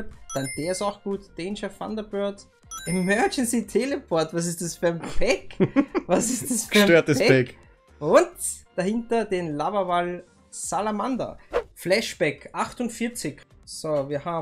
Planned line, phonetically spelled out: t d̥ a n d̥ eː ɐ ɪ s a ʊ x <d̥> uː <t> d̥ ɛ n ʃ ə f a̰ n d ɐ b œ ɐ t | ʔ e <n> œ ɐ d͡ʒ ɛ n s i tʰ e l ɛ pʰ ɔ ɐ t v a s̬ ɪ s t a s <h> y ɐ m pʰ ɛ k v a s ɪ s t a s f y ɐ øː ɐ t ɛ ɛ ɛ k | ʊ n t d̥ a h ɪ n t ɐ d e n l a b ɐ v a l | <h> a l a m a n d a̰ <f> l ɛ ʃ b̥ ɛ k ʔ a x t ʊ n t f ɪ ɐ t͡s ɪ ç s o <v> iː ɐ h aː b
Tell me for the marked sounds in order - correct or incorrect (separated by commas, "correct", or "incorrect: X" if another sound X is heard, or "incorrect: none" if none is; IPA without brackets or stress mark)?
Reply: incorrect: ɡ̥, correct, incorrect: m, incorrect: f, incorrect: s, correct, correct